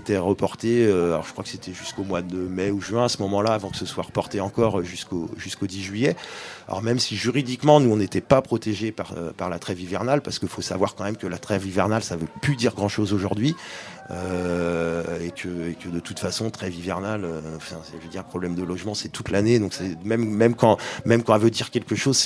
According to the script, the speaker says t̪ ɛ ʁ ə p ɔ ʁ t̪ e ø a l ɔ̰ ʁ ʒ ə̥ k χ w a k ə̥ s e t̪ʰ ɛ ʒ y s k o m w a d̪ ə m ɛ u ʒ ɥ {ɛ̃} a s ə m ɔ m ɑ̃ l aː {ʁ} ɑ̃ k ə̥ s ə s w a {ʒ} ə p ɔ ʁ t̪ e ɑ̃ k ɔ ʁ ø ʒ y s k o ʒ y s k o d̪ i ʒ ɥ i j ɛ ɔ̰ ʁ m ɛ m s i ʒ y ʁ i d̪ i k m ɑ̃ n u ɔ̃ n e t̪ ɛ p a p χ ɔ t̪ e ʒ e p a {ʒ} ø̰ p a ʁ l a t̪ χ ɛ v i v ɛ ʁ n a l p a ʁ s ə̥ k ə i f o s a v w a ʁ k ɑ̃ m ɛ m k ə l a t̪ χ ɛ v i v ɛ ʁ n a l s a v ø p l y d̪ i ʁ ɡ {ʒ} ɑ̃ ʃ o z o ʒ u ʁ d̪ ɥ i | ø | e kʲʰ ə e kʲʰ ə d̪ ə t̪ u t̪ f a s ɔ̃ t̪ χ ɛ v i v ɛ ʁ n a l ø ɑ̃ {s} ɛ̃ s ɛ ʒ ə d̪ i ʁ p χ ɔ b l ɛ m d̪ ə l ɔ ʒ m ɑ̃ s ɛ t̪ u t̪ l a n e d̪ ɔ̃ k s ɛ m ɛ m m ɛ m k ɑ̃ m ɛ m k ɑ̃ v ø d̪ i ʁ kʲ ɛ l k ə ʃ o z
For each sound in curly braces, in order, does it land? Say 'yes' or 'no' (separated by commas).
yes, no, no, no, no, no